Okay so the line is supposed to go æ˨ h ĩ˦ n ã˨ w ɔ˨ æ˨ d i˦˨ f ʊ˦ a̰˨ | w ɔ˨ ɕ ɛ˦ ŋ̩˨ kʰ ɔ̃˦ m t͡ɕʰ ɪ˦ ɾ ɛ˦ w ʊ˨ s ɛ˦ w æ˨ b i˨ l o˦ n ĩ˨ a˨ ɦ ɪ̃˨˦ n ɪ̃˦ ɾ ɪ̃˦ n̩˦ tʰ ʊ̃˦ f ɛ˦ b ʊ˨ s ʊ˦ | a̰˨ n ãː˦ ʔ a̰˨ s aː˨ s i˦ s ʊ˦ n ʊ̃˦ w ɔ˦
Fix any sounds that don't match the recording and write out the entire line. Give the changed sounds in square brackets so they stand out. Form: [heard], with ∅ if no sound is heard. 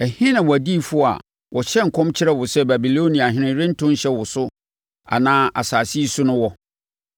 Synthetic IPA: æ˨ h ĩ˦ n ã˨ w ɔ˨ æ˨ d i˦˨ f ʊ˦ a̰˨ | w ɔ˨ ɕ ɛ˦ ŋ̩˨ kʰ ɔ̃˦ m t͡ɕʰ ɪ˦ ɾ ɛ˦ w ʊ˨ s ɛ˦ [b] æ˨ b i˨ l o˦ n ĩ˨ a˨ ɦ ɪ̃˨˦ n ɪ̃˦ ɾ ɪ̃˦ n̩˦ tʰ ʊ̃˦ [ɕ] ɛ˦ [w] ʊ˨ s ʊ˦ | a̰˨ n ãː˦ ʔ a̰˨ s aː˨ s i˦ s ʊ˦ n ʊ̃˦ w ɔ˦